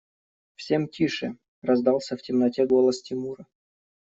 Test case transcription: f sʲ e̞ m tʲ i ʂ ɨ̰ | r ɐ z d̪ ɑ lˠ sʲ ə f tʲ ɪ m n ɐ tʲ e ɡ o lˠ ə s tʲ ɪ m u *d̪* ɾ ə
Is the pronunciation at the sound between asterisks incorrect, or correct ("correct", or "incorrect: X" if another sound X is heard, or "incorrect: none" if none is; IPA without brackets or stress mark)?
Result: incorrect: none